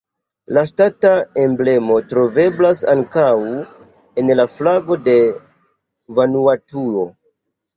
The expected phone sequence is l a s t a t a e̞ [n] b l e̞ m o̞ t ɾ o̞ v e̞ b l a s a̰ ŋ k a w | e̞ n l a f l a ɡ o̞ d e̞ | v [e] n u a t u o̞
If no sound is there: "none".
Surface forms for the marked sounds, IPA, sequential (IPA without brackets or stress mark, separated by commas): m, a